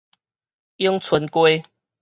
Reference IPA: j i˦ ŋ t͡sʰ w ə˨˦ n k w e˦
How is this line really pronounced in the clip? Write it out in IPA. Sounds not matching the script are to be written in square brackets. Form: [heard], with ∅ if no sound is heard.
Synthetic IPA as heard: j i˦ ŋ t͡sʰ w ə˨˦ n k w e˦